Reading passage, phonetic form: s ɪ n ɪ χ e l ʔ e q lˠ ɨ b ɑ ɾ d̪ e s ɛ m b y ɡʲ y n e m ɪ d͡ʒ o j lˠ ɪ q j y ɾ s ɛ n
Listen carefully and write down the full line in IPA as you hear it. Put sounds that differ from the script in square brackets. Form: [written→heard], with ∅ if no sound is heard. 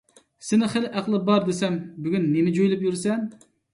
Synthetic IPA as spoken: s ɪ n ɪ χ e l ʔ [e→æ] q lˠ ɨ b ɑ ɾ d̪ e s ɛ m b y ɡʲ y [n→nː] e m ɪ d͡ʒ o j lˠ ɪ [q→p] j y ɾ s ɛ n

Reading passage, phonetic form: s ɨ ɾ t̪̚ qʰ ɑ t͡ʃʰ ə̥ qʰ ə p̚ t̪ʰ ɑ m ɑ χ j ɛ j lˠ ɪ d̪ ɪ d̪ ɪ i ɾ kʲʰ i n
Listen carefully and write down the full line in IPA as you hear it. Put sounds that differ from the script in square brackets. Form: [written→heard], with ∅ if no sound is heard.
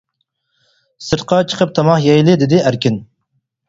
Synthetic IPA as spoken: s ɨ ɾ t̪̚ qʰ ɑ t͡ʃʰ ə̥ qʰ ə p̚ t̪ʰ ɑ m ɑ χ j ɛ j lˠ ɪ d̪ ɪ d̪ ɪ [i→æ] ɾ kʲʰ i n

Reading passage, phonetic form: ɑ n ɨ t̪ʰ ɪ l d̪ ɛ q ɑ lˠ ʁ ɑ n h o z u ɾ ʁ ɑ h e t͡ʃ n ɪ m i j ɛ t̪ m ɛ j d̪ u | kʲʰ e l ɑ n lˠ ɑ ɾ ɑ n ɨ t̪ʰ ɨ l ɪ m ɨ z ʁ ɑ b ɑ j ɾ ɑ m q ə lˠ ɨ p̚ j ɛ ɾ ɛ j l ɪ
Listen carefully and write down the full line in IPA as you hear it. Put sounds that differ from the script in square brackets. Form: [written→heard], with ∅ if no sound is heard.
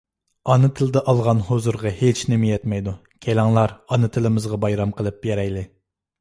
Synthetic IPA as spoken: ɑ n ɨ t̪ʰ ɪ l d̪ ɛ [q→ʔ] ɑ lˠ ʁ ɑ n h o z u ɾ ʁ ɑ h e t͡ʃ n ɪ m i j ɛ t̪ m ɛ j d̪ u | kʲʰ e l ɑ [n→ŋ] lˠ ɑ ɾ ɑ n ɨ t̪ʰ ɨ l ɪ m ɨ z ʁ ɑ b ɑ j ɾ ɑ m q ə lˠ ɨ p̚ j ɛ ɾ ɛ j l ɪ

